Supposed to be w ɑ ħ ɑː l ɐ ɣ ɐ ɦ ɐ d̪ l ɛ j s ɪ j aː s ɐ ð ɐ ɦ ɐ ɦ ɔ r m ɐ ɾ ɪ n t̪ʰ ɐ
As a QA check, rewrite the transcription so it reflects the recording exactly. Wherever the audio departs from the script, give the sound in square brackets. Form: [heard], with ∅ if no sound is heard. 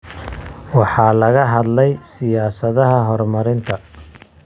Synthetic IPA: w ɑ ħ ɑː l ɐ ɣ ɐ ɦ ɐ d̪ l ɛ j s ɪ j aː s ɐ ð ɐ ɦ ɐ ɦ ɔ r m ɐ ɾ ɪ n t̪ʰ ɐ